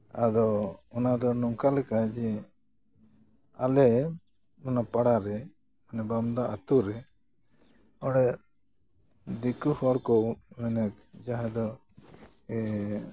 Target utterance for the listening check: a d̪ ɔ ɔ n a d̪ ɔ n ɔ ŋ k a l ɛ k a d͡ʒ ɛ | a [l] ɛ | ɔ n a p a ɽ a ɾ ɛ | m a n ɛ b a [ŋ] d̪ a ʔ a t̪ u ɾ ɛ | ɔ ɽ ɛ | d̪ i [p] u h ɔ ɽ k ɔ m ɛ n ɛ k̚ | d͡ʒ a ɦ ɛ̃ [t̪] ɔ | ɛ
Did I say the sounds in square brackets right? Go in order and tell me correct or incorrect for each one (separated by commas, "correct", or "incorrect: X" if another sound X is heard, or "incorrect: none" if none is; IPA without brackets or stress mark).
correct, incorrect: m, incorrect: k, incorrect: d̪